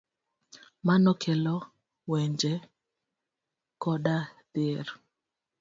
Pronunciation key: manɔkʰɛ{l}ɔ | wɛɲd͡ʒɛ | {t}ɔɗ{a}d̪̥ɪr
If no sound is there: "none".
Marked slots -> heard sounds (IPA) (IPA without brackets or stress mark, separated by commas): l, k, a